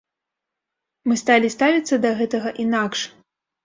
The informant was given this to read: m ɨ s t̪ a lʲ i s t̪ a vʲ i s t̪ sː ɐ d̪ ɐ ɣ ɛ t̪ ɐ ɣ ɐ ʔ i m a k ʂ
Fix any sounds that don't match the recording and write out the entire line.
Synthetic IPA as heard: m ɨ s t̪ a lʲ i s t̪ a vʲ i t̪ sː ɐ d̪ ɐ ɣ ɛ t̪ ɐ ɣ ɐ ʔ i n a k ʂ